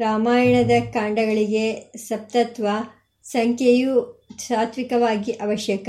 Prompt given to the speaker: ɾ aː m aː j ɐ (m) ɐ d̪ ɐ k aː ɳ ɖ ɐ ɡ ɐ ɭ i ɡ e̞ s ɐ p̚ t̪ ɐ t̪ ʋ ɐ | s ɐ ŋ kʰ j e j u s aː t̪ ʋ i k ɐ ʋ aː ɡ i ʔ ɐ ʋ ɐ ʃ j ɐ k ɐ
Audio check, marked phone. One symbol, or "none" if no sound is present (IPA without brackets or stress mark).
ɳ